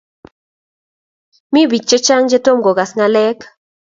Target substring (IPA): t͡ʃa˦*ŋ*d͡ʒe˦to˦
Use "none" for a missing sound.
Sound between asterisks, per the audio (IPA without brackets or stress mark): ŋ